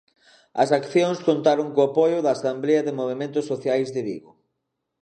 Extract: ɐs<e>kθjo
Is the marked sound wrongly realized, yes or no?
yes